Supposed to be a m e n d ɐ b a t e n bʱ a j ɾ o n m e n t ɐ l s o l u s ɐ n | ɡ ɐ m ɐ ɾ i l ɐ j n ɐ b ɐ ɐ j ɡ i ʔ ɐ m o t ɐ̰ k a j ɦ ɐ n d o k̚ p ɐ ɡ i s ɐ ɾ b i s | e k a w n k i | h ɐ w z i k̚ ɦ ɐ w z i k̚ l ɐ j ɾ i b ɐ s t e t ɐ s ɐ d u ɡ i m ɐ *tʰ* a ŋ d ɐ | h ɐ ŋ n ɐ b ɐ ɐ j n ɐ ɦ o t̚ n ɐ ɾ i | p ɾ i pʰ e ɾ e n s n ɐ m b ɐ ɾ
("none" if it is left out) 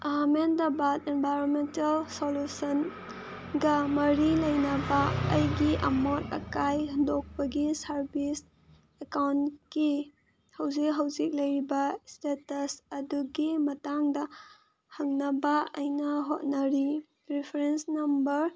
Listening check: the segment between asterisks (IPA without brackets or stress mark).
t